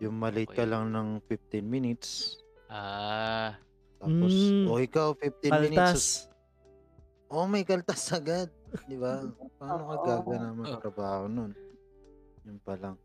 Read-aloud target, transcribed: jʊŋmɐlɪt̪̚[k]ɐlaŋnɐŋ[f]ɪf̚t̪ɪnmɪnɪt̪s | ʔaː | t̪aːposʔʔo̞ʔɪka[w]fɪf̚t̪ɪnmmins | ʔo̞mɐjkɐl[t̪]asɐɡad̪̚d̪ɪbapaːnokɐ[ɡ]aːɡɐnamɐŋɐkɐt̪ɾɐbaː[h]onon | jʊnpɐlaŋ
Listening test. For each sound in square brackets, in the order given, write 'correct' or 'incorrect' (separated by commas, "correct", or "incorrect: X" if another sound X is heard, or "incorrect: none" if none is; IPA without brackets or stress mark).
correct, correct, correct, correct, correct, correct